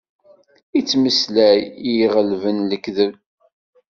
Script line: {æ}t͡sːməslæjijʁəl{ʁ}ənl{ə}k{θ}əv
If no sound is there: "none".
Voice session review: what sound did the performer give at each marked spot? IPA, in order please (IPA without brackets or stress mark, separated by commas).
i, v, ə, ð